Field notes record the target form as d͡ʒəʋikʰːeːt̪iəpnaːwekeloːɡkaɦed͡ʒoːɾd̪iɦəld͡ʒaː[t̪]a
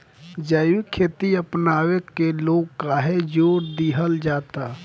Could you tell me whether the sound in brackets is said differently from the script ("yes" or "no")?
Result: no